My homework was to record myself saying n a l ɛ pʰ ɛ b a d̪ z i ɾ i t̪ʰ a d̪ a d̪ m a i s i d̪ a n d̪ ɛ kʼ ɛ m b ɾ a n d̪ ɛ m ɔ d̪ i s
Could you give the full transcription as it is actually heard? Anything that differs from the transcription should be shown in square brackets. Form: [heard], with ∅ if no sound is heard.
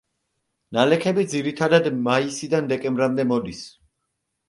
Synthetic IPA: n a l ɛ [kʰ] ɛ b [i] d̪ z i ɾ i t̪ʰ a d̪ a d̪ m a i s i d̪ a n d̪ ɛ kʼ ɛ m b ɾ a [m] d̪ ɛ m ɔ d̪ i s